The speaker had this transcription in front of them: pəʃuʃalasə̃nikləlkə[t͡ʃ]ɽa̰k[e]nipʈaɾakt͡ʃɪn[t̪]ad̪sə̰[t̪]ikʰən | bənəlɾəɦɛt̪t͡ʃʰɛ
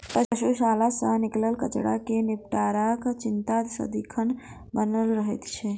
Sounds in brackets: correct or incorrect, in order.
correct, correct, correct, incorrect: d̪

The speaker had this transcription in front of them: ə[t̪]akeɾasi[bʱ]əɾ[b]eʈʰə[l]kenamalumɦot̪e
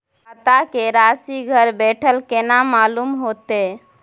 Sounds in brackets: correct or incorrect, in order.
correct, incorrect: ɡʱ, correct, correct

